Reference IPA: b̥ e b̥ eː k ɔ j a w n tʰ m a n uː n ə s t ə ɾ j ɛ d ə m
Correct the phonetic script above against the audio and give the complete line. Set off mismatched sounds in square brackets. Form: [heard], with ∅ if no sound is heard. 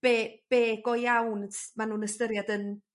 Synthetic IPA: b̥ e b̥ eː [ɡ] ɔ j a w n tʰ m a n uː n ə s t ə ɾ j [a] d ə [n]